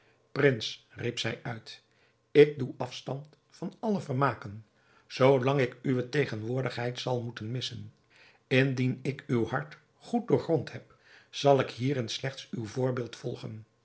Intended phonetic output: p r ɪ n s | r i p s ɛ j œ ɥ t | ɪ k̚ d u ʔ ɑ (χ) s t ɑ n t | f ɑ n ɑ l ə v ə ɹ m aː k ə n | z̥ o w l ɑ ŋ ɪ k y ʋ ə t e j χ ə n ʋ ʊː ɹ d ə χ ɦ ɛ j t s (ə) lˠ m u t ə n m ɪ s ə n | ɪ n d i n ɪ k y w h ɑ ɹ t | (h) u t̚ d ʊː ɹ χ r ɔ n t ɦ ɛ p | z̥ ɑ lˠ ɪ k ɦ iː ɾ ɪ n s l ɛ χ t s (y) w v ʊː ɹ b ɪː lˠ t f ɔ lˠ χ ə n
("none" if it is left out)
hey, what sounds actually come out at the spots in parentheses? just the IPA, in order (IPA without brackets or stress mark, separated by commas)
f, ɑ, χ, y